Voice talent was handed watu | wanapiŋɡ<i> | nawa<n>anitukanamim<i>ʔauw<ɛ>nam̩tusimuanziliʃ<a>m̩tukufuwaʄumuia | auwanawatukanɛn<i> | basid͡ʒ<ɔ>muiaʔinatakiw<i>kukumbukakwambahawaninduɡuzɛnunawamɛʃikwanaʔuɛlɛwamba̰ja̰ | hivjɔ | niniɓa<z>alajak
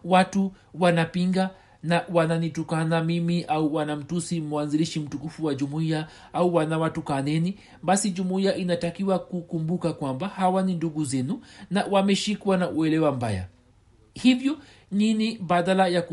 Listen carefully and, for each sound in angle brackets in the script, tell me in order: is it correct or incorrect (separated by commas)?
incorrect, correct, correct, incorrect, incorrect, correct, incorrect, incorrect, incorrect